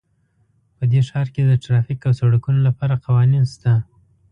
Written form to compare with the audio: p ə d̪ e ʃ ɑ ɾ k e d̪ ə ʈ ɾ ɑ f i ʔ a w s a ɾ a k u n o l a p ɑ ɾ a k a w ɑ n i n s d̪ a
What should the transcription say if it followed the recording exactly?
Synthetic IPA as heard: p ə d̪ e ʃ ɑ ɾ k e d̪ ə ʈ ɾ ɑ f i k a w s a ɽ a k u n o l a p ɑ ɾ a q a w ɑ n i n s t̪ a